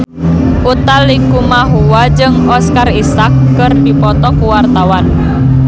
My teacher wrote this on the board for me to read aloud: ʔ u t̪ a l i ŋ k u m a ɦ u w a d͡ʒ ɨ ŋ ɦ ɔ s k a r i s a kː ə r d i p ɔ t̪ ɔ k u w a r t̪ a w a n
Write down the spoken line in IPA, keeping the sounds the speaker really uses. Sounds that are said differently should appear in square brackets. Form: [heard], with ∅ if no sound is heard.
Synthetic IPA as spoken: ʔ u t̪ a l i ŋ k u m a ɦ u w a d͡ʒ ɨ ŋ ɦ ɔ s k a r i s a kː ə r d i p ɔ t̪ ɔ k u w a r t̪ a w a n